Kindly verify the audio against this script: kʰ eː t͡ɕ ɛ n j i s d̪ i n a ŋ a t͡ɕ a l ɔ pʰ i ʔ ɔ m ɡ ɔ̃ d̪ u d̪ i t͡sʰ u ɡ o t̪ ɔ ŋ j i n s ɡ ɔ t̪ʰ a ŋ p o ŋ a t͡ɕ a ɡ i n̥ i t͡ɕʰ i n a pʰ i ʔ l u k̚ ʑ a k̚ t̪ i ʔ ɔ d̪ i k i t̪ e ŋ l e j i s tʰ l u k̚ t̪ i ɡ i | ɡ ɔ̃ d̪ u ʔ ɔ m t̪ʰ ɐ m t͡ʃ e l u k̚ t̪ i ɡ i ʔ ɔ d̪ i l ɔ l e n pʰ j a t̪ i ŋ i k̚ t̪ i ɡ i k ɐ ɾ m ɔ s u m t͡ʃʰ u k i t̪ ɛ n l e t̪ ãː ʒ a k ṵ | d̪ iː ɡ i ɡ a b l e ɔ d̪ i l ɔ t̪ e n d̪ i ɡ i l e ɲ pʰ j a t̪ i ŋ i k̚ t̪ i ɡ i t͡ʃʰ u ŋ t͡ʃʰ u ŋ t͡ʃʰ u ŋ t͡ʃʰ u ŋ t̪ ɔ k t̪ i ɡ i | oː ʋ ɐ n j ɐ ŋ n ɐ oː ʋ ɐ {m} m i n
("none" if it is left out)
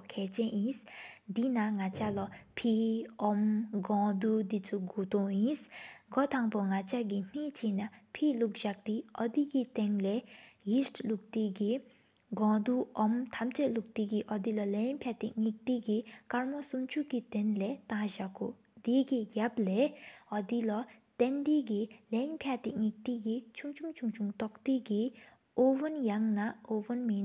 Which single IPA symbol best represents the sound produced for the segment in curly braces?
n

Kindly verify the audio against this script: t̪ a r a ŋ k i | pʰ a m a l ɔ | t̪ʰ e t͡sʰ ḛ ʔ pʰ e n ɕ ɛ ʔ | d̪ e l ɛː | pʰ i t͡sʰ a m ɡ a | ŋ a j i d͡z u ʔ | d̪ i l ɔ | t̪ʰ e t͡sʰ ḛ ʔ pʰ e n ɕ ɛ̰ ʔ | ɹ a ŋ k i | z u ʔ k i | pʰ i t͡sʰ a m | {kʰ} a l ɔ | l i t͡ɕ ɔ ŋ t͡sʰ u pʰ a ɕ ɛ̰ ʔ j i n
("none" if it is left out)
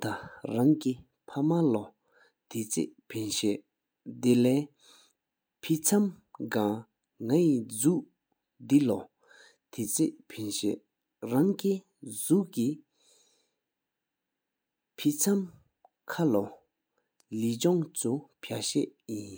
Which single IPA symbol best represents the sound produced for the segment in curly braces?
kʰ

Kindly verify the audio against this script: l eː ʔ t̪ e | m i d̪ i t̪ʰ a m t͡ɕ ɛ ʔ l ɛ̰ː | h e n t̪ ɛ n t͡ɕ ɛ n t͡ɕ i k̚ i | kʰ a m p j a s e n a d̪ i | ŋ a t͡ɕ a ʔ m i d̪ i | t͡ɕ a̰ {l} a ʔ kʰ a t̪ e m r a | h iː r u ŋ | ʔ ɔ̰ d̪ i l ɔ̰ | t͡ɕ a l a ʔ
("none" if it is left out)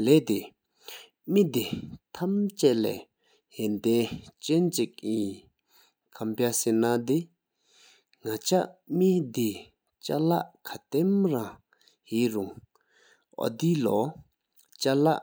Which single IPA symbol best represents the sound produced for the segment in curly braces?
l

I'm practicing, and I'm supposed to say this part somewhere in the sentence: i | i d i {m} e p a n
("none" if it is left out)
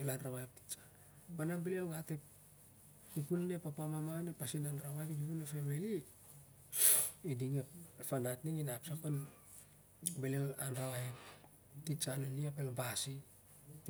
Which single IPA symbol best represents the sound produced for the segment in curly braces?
ŋ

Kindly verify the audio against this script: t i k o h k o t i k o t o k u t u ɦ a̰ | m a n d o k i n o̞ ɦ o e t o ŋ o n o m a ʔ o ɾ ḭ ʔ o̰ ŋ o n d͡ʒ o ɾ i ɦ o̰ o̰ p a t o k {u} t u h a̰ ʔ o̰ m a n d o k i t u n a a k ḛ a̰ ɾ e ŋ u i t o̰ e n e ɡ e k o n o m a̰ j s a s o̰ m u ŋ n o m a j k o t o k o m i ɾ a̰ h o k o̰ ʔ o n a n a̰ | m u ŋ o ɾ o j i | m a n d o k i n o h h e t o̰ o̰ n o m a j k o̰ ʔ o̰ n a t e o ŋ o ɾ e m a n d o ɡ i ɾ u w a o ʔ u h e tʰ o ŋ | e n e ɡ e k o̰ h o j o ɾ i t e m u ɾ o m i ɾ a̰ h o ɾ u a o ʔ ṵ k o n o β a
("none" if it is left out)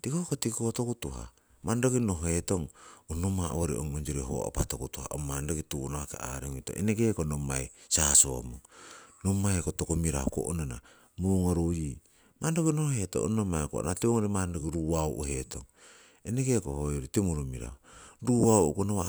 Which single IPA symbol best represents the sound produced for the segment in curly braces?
u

